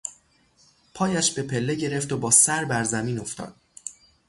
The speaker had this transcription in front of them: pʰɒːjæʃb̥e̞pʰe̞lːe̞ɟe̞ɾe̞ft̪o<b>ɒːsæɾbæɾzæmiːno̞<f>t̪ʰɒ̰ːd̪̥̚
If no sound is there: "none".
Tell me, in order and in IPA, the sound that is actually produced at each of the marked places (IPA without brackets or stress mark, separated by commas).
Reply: b, f